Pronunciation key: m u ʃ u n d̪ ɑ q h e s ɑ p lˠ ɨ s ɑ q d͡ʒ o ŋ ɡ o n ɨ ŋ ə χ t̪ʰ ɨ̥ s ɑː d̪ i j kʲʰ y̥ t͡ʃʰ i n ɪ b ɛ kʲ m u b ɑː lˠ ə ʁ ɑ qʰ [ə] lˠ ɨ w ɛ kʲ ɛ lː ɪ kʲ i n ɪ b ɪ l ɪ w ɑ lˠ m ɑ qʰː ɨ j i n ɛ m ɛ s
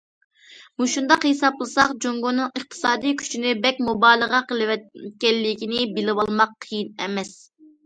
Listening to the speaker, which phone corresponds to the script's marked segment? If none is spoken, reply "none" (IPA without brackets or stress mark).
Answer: ə